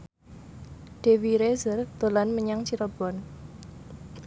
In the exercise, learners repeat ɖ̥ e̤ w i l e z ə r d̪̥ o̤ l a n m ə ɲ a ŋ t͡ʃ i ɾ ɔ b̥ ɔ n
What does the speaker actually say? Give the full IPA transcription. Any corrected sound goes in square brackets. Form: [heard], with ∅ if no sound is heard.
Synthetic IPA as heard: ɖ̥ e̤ w i [ɾ] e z ə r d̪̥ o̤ l a n m ə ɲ a ŋ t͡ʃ i ɾ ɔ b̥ ɔ n